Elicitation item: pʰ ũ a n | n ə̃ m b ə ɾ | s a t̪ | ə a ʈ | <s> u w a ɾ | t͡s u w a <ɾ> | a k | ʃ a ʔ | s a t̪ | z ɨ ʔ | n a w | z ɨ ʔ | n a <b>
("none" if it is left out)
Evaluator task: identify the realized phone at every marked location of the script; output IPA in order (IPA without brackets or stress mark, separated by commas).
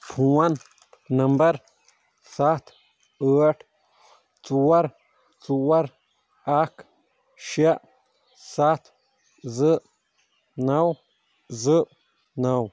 t͡s, ɾ, w